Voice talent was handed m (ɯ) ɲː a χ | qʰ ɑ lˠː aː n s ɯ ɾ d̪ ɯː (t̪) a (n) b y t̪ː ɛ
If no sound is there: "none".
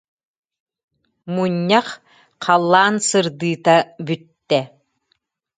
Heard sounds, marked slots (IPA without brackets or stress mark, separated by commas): u, t̪, none